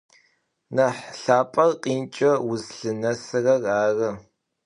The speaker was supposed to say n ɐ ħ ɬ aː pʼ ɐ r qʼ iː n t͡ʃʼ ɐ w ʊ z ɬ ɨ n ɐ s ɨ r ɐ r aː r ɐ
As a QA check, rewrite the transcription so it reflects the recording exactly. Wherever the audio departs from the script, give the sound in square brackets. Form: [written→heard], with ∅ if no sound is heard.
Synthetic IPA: n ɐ ħ ɬ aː pʼ ɐ r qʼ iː n t͡ʃʼ ɐ w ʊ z ɬ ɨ n ɐ s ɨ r ɐ r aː r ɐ